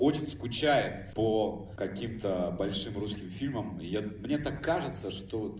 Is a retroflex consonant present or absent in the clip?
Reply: present